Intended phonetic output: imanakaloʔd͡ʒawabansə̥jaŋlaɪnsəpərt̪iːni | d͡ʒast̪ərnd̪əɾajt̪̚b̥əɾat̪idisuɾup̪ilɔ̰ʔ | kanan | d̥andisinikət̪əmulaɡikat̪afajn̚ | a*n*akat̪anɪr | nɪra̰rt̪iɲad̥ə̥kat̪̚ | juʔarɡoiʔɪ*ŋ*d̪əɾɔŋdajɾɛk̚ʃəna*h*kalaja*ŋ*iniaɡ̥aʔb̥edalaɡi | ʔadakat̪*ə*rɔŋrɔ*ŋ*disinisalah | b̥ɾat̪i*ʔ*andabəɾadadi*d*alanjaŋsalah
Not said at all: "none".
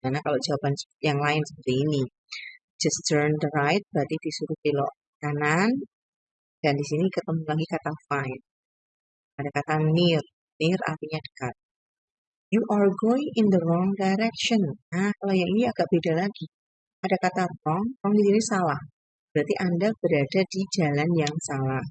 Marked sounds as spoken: d, n, h, ŋ, a, ŋ, ʔ, d͡ʒ

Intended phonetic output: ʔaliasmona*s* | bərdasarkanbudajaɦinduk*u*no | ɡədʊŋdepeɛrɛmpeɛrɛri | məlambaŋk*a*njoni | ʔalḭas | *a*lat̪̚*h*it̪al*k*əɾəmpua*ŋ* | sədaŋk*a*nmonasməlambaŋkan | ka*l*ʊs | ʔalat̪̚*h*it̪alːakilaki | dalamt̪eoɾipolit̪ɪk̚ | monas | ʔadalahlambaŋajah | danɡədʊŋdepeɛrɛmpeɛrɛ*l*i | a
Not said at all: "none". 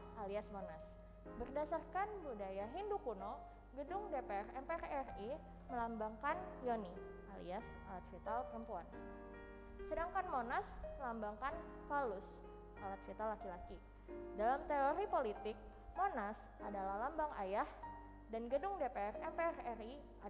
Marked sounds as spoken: s, u, a, a, f, p, n, a, l, f, r

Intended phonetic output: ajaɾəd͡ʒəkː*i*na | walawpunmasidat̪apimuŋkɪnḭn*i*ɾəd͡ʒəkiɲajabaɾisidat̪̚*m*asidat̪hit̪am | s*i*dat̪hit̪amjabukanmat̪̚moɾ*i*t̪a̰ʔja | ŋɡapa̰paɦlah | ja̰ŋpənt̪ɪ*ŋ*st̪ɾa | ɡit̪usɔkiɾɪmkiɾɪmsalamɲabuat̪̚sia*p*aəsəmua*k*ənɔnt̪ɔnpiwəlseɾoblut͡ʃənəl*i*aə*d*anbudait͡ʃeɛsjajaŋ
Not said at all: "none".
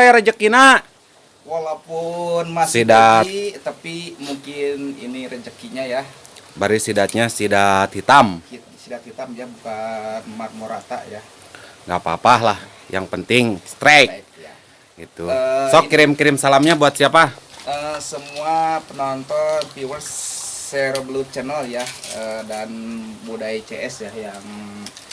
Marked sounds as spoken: i, i, ɲ, i, a, ŋ, p, p, j, d

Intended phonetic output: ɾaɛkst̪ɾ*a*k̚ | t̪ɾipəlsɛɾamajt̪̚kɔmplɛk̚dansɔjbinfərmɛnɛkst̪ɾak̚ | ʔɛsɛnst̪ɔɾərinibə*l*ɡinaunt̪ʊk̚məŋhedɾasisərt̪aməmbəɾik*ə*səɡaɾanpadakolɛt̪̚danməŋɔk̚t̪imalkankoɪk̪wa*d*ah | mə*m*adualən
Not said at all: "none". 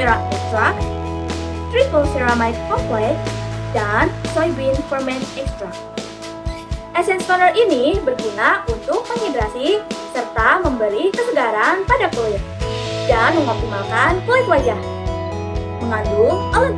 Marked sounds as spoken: a, r, ə, d͡ʒ, ŋ

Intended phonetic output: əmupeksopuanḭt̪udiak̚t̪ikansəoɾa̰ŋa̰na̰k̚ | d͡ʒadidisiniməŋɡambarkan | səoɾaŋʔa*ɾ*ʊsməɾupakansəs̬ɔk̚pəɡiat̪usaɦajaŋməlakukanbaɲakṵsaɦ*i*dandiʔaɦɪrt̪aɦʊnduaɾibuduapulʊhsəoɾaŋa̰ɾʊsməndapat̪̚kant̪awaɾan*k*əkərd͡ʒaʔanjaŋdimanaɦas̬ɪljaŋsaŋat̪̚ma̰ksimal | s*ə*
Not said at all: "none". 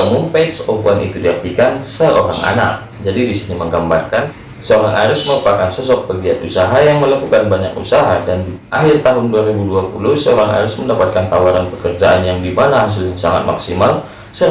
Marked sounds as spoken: ɾ, a, p, ə

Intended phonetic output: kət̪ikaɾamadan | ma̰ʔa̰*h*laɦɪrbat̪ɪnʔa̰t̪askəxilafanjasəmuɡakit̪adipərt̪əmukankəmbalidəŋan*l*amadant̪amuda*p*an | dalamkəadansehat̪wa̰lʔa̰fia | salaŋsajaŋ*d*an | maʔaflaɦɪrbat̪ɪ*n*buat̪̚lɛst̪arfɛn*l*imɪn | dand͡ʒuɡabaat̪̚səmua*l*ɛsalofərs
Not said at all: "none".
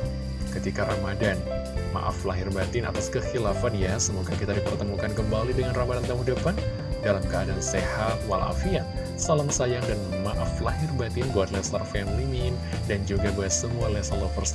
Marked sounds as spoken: f, r, p, d, n, l, l

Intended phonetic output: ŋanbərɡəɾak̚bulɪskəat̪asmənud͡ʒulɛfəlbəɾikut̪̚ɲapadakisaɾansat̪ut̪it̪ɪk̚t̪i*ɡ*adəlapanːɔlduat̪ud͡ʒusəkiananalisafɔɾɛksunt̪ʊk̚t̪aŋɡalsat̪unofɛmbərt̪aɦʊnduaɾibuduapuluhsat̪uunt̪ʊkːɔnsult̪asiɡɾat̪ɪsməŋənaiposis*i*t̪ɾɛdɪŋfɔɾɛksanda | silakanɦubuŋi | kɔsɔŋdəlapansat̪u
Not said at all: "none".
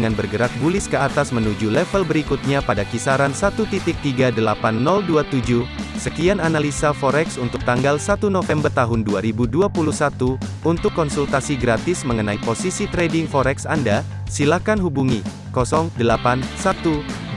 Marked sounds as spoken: ɡ, i

